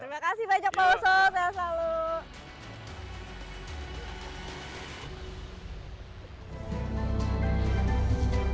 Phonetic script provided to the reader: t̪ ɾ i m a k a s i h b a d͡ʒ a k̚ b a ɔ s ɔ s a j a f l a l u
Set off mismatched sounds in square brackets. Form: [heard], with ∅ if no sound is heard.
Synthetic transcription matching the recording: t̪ ɾ i m a k a s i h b a d͡ʒ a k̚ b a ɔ s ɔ s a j a [s] l a l u